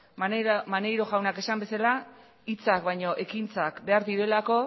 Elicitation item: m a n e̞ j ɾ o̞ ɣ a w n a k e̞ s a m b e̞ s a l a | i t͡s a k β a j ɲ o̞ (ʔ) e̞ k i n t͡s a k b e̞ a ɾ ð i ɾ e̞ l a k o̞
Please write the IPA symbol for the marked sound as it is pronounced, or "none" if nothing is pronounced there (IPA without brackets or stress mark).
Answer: ʔ